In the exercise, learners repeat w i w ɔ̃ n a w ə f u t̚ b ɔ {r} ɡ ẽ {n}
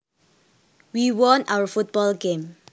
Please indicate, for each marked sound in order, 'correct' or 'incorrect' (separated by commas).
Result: incorrect, incorrect